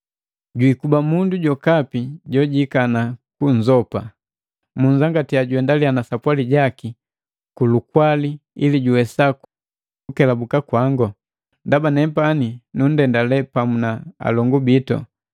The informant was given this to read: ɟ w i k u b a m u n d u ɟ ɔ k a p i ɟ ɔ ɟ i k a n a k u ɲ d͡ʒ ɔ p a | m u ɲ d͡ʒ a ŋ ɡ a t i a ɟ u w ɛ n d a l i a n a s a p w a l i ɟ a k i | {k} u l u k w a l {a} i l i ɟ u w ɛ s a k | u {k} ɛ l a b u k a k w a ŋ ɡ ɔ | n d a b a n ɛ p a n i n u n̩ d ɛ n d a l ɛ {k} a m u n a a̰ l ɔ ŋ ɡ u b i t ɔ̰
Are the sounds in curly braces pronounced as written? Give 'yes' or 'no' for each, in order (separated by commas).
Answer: yes, no, yes, no